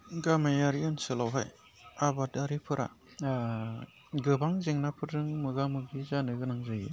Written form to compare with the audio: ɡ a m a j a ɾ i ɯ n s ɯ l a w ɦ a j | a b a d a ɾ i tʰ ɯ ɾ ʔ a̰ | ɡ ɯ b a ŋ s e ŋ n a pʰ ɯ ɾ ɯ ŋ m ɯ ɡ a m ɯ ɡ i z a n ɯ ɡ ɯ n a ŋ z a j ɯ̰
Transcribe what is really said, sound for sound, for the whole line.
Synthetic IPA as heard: ɡ a m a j a ɾ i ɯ n s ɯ l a w ɦ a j | a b a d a ɾ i pʰ ɯ ɾ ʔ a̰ | ɡ ɯ b a ŋ z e ŋ n a pʰ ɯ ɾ ɯ ŋ m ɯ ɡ a m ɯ ɡ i z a n ɯ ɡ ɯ n a ŋ z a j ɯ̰